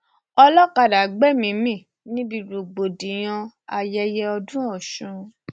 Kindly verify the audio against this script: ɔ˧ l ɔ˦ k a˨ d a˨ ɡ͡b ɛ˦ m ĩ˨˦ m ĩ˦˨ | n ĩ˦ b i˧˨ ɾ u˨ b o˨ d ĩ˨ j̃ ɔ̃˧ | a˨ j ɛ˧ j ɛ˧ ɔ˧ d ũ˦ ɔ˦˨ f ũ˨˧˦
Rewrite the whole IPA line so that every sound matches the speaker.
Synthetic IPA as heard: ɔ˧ l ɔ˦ k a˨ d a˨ ɡ͡b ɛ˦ m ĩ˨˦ m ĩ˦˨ | n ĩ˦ b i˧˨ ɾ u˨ ɡ͡b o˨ d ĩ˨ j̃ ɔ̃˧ | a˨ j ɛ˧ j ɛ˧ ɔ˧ d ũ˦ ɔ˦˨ ʃ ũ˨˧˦